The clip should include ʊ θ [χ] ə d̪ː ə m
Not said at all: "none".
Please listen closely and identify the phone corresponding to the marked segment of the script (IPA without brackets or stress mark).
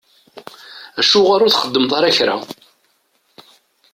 χ